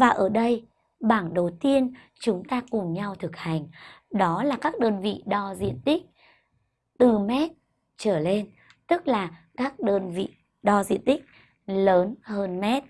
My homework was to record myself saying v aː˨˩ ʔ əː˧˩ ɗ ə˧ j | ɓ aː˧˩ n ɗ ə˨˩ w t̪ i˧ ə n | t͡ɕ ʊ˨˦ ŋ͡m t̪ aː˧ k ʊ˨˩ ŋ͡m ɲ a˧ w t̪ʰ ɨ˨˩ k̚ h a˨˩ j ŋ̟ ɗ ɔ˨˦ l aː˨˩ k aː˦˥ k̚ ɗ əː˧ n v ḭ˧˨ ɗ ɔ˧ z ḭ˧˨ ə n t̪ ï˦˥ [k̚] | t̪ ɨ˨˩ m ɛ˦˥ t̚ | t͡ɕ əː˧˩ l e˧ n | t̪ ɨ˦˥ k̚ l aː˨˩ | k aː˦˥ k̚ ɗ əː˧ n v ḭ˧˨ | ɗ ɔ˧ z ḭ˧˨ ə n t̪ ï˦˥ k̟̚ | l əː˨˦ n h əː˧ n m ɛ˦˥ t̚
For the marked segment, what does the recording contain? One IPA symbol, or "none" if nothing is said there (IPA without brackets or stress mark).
k̚